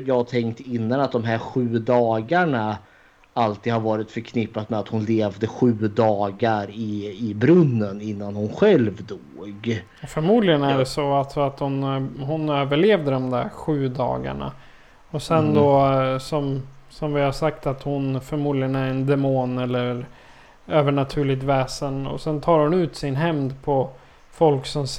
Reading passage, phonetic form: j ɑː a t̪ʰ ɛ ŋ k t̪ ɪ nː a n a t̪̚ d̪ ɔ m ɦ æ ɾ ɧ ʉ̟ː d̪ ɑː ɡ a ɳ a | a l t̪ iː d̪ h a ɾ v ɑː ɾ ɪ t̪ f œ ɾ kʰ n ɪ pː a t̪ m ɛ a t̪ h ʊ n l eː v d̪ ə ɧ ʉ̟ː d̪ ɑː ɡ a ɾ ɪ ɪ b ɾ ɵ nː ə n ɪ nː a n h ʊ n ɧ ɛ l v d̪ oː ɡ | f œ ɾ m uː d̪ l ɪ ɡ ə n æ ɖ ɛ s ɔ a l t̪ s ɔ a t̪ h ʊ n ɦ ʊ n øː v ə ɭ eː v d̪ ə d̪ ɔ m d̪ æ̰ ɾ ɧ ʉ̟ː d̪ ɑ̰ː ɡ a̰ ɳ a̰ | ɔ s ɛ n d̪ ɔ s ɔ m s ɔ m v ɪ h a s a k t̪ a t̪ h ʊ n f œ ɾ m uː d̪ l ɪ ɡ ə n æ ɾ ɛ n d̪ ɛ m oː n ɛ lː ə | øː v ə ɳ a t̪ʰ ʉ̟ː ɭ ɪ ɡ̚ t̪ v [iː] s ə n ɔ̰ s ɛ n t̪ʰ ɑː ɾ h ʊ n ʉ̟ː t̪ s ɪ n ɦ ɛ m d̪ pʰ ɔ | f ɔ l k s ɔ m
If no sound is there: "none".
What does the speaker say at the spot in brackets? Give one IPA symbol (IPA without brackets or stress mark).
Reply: ɛː